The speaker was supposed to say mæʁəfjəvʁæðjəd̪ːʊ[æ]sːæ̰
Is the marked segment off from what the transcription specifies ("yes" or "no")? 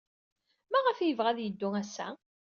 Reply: no